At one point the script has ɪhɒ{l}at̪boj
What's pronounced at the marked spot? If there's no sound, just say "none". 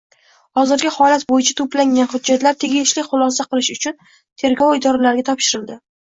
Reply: l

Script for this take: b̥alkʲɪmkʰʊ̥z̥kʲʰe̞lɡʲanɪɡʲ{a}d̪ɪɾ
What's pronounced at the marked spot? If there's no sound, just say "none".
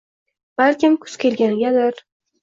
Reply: a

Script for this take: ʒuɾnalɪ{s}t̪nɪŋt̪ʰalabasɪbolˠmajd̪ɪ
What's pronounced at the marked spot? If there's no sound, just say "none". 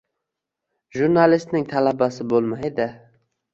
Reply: s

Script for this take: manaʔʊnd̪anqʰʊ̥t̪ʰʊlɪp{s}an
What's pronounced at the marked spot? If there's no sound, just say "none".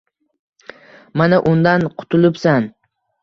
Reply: s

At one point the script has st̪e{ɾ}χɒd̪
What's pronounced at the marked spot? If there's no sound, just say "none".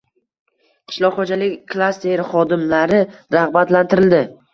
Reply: ɾ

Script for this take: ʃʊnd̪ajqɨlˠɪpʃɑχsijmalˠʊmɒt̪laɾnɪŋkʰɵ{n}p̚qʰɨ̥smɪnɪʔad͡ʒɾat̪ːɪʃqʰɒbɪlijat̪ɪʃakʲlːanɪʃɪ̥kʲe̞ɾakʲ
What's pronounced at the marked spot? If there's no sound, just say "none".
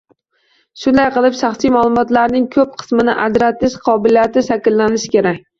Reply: none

